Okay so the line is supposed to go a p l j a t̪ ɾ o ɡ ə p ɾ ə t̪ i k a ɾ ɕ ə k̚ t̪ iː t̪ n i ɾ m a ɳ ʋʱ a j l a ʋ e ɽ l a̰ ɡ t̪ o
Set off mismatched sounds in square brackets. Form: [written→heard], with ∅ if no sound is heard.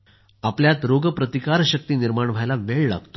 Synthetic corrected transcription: a p l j a t̪ ɾ o ɡ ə p ɾ ə t̪ i k a ɾ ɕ ə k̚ t̪ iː [t̪→∅] n i ɾ m a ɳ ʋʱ a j l a ʋ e [ɽ→ɭ] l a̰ ɡ t̪ o